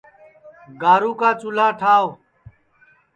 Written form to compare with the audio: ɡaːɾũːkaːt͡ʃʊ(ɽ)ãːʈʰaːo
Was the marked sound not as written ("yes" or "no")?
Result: yes